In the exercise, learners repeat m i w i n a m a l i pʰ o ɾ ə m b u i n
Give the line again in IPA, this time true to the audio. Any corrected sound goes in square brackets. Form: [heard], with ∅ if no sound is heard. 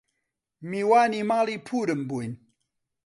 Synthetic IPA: m i w [a] n [i] m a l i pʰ [u] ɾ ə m b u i n